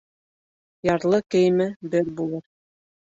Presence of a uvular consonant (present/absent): absent